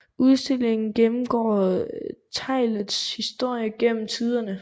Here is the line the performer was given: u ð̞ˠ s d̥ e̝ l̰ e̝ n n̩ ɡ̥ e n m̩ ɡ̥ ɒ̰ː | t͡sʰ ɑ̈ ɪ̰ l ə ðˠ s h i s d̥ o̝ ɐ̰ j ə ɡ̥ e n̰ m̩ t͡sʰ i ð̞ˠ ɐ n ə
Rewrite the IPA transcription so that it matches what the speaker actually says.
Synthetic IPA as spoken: u ð̞ˠ s d̥ e̝ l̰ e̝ ŋ n̩ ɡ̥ e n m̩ ɡ̥ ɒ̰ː | t͡sʰ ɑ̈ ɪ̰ l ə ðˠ s h i s d̥ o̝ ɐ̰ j ə ɡ̥ e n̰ m̩ t͡sʰ i ð̞ˠ ɐ n ə